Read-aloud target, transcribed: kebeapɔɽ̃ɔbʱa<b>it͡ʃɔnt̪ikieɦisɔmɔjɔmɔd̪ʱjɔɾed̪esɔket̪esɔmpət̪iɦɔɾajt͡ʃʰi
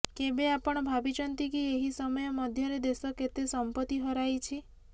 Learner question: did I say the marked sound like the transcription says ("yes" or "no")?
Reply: yes